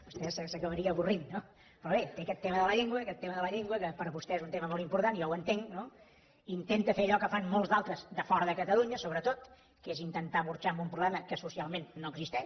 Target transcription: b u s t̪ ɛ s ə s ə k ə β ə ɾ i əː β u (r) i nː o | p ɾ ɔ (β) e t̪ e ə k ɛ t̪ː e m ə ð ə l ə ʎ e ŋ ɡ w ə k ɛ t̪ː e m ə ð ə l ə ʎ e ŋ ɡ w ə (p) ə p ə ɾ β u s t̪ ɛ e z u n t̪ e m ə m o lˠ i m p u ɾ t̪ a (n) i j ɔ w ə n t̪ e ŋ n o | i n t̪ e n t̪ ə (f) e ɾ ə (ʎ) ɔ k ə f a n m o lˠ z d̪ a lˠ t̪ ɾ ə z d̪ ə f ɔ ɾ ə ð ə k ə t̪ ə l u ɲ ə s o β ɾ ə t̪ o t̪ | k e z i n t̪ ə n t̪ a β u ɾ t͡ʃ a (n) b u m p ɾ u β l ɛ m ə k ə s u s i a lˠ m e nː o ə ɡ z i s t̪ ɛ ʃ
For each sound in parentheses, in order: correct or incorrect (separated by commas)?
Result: correct, correct, incorrect, correct, correct, correct, incorrect